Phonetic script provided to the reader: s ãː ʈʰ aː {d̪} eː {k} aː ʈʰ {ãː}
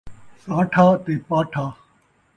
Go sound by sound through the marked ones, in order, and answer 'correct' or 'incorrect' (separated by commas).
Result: incorrect, incorrect, incorrect